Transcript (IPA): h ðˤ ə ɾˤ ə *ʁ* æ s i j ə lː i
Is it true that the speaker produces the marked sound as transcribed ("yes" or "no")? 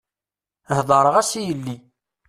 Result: yes